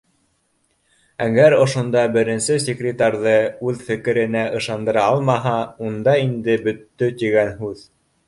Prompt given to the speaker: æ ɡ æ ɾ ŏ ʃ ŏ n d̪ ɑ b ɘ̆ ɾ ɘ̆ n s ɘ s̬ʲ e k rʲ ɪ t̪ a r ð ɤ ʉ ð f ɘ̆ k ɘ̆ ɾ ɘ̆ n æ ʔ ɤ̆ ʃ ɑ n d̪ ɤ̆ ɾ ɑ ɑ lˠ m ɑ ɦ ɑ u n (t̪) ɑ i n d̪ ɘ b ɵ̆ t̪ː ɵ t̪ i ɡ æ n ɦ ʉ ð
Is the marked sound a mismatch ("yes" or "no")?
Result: yes